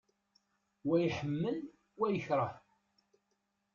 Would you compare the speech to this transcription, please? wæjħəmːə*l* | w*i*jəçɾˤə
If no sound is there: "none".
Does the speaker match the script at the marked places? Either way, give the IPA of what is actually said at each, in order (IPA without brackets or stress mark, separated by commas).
l, æ